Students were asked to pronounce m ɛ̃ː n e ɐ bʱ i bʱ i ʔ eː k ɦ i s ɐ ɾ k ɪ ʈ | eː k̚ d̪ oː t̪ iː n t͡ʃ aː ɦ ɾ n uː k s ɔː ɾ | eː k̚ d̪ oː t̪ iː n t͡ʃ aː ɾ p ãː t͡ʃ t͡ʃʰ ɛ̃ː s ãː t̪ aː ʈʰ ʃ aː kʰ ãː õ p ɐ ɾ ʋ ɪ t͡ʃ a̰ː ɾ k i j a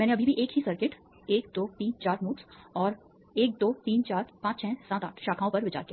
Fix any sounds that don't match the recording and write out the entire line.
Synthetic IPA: m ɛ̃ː n e ɐ bʱ i bʱ i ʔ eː k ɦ i s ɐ ɾ k ɪ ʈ | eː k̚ d̪ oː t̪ iː n t͡ʃ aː ɾ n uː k s ɔː ɾ | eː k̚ d̪ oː t̪ iː n t͡ʃ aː ɾ p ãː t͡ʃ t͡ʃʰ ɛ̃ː s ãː t̪ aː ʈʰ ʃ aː kʰ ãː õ p ɐ ɾ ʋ ɪ t͡ʃ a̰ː ɾ k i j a